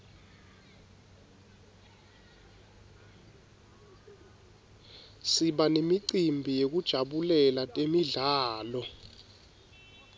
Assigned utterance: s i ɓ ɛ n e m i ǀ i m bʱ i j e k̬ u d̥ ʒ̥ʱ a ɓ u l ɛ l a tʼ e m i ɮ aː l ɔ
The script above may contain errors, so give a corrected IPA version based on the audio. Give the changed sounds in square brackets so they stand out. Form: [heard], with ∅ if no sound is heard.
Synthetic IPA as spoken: s i ɓ [a] n e m i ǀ i m bʱ i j e k̬ u d̥ ʒ̥ʱ a ɓ u l ɛ l a tʼ e m i ɮ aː l ɔ